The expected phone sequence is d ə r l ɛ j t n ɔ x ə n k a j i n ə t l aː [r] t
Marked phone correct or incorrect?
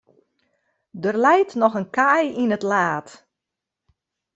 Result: incorrect